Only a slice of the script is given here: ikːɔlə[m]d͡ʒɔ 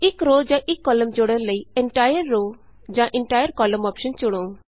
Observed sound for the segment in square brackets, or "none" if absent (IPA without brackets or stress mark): m